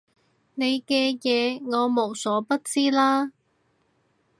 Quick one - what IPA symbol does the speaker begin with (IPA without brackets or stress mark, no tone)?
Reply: n